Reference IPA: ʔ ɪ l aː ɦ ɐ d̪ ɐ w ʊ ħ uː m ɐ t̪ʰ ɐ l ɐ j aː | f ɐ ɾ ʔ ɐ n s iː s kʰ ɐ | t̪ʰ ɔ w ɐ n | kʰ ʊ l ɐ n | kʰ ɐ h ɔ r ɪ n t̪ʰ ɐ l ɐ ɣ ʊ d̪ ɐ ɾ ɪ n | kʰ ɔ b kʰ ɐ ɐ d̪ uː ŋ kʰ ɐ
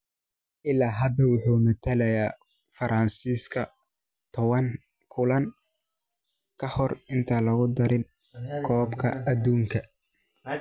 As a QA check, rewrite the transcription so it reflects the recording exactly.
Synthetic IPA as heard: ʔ ɪ l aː ɦ ɐ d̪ ɐ w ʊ ħ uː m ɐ t̪ʰ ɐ l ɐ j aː | f ɐ ɾ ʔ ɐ n s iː s kʰ ɐ | t̪ʰ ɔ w ɐ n | kʰ ʊ l ɐ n | kʰ ɐ h ɔ r ɪ n t̪ʰ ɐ l ɐ ɣ ʊ d̪ ɐ ɾ ɪ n | kʰ ɔː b kʰ ɐ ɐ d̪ uː ŋ kʰ ɐ